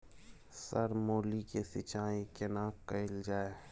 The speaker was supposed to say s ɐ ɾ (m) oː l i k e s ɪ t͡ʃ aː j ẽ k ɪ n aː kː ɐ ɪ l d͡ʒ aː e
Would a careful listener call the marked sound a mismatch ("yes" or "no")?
no